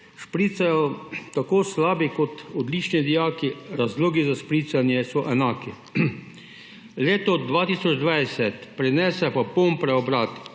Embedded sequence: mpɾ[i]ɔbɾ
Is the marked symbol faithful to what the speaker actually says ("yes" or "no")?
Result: no